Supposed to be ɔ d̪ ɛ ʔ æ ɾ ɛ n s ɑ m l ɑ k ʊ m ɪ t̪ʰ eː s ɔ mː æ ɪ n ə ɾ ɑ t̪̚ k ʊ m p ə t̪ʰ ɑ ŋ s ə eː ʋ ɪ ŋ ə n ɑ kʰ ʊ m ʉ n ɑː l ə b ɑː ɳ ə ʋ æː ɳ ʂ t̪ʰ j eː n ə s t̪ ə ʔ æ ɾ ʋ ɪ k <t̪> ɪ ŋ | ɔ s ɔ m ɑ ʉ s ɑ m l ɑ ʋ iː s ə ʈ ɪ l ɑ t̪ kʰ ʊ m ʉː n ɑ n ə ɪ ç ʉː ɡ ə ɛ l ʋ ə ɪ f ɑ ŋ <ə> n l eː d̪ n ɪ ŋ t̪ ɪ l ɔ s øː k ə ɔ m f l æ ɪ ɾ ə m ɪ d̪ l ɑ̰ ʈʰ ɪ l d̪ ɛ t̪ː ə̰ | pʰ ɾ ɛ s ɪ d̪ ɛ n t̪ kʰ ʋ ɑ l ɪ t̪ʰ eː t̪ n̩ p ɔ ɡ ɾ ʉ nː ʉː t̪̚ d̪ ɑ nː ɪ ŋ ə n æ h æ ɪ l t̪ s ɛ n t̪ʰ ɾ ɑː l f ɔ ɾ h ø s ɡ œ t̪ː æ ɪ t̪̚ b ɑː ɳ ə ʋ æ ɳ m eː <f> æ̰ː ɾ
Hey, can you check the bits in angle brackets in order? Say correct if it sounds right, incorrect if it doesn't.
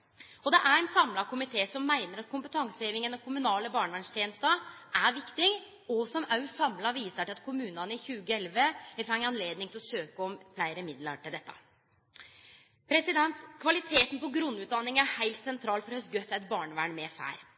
correct, incorrect: ɑ, correct

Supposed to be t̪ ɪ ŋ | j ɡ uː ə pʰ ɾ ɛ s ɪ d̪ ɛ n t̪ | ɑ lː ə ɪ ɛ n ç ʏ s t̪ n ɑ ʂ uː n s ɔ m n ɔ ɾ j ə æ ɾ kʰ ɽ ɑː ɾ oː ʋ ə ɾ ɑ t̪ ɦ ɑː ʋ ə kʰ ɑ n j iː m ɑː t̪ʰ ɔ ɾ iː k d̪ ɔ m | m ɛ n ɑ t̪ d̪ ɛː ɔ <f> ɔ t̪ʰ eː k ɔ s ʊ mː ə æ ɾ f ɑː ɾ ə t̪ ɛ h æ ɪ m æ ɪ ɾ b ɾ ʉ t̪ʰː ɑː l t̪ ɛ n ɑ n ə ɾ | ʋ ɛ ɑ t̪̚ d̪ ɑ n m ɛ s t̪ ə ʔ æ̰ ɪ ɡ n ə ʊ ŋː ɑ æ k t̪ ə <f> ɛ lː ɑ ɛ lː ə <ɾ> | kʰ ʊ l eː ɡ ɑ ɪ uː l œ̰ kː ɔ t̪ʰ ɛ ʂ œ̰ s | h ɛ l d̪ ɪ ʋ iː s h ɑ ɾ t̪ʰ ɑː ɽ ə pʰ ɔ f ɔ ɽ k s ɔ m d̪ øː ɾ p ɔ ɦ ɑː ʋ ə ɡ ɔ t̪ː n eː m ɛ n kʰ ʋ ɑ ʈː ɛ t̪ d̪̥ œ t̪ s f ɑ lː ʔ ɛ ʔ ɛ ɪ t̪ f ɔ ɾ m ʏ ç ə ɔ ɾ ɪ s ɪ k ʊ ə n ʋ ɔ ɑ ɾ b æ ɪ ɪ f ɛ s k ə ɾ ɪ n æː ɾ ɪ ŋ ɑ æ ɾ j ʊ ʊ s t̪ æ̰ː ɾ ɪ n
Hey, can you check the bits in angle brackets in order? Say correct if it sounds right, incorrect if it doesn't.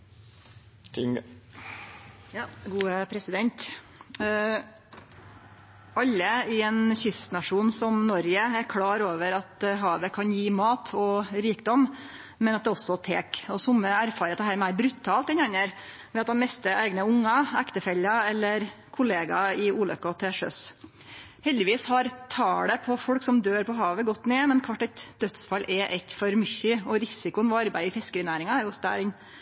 incorrect: s, correct, correct

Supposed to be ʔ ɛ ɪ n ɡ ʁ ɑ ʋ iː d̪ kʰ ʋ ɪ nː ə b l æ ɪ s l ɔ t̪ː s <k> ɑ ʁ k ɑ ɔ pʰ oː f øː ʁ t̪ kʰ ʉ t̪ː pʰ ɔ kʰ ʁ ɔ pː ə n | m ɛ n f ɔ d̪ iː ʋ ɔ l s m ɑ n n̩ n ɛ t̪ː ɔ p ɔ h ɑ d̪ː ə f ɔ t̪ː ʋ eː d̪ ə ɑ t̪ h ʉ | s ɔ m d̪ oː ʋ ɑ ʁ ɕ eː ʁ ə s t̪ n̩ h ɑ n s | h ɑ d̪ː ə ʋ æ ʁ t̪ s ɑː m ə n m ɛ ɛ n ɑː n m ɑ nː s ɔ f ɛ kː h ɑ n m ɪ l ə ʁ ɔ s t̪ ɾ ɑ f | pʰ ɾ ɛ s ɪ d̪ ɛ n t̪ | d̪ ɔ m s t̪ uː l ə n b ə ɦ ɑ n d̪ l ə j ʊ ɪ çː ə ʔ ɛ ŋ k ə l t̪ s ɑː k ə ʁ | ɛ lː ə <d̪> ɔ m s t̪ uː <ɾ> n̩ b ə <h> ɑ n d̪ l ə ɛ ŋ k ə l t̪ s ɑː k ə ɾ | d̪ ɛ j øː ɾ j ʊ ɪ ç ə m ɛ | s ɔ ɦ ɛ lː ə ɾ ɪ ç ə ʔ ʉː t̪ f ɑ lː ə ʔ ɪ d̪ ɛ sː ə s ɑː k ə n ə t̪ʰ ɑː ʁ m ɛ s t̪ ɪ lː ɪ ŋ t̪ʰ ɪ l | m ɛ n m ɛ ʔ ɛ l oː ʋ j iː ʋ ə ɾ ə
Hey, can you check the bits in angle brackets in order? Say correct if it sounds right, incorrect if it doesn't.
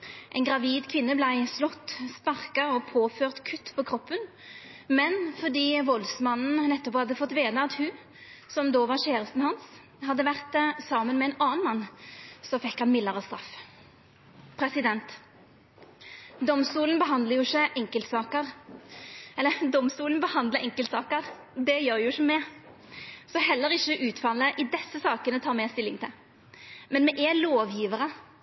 incorrect: p, correct, incorrect: l, correct

